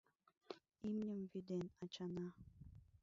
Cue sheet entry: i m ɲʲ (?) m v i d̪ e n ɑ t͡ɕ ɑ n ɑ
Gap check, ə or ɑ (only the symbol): ə